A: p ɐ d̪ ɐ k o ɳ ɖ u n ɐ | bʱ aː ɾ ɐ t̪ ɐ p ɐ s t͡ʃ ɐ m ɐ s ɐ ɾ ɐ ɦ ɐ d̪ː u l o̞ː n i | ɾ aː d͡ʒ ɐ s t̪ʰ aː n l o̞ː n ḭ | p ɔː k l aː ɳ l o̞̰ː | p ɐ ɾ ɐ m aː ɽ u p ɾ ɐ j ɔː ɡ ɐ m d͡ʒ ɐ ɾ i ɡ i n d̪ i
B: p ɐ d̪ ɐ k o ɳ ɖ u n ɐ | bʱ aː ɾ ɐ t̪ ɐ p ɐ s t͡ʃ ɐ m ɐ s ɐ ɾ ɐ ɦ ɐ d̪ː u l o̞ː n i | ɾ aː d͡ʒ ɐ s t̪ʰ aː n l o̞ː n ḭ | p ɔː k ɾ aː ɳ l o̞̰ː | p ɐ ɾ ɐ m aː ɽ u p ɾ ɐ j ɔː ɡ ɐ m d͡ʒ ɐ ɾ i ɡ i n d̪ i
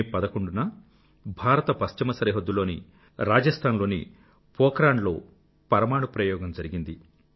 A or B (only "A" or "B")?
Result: B